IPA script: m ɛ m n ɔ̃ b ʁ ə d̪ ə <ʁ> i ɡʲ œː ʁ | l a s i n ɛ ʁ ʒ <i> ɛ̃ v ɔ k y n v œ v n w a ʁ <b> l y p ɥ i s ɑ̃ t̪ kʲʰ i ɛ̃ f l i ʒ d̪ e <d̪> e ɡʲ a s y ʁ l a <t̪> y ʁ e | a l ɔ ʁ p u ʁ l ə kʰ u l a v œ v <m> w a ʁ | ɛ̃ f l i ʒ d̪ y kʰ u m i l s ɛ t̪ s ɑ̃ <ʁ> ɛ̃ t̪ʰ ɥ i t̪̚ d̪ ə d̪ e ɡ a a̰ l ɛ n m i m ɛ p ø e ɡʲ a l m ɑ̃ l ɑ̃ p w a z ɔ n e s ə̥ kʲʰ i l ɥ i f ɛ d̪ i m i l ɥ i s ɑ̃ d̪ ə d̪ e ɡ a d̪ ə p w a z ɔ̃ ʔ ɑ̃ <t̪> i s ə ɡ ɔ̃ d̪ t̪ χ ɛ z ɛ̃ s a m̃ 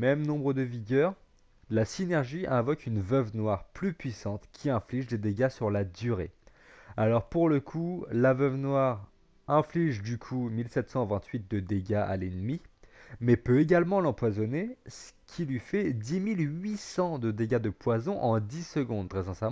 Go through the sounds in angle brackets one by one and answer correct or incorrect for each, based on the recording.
incorrect: v, correct, incorrect: p, correct, incorrect: d̪, incorrect: n, incorrect: v, incorrect: d̪

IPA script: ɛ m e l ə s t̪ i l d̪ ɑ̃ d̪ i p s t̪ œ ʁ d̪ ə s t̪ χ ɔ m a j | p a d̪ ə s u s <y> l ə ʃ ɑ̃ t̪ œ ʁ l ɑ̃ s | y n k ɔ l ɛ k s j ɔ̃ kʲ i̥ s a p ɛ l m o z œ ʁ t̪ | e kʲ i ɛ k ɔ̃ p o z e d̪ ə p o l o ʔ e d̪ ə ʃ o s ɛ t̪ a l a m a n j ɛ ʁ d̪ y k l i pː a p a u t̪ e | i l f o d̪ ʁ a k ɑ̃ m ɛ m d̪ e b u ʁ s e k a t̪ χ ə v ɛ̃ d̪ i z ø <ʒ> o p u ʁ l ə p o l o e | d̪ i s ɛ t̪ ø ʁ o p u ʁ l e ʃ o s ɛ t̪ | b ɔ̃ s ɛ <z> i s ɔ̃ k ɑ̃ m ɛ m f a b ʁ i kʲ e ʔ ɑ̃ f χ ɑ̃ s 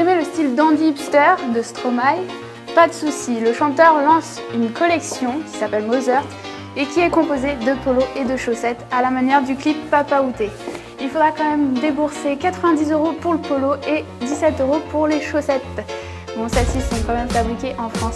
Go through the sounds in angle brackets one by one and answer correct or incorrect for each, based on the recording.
incorrect: i, incorrect: ʁ, incorrect: s

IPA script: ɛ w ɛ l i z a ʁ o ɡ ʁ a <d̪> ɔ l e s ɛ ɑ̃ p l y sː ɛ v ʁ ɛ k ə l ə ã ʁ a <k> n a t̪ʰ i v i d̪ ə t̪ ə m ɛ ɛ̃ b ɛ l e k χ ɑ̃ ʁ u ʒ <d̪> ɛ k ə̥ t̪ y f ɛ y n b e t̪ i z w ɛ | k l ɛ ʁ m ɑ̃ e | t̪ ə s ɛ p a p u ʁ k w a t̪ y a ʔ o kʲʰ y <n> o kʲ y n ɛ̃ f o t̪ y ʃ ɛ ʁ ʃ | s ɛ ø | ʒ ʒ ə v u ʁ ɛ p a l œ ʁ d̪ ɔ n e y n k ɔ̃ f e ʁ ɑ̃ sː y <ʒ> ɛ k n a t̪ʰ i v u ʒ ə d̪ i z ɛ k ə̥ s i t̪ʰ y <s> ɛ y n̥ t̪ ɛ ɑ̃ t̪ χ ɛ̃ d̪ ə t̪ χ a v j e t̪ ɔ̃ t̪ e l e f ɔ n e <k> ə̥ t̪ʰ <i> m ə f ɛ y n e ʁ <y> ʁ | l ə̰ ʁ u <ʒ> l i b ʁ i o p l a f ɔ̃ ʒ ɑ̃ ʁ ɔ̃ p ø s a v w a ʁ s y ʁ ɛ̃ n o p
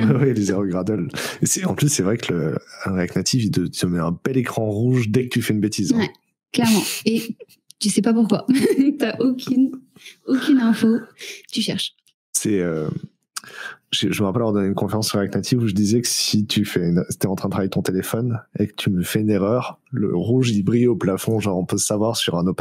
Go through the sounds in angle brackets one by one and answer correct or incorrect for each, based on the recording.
correct, correct, correct, correct, incorrect: ʁ, incorrect: f, correct, incorrect: y, incorrect: œ, correct

